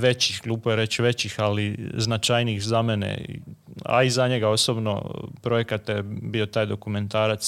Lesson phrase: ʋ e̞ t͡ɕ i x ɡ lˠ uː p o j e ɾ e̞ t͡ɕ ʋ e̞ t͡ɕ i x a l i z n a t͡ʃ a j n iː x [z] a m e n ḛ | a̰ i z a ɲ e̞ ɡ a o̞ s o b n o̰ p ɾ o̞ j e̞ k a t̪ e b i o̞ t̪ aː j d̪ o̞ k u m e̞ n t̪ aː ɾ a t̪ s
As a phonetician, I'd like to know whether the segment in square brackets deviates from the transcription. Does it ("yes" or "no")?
no